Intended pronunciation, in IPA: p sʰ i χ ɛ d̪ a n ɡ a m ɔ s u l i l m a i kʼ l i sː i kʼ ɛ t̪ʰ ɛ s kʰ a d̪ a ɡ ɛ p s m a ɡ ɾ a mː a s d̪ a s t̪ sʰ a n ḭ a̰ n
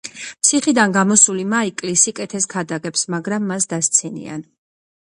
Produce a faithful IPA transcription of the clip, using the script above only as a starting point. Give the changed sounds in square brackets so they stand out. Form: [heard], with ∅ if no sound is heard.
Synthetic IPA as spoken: p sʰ i χ [i] d̪ a n ɡ a m ɔ s u l i [∅] m a i kʼ l i [s] i kʼ ɛ t̪ʰ ɛ s kʰ a d̪ a ɡ ɛ p s m a ɡ ɾ a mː a s d̪ a s t̪ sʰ [i] n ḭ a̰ n